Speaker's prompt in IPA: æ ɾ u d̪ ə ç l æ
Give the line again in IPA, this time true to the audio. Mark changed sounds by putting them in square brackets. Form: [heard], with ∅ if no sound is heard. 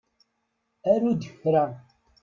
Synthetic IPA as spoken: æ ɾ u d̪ ə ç [ɾ] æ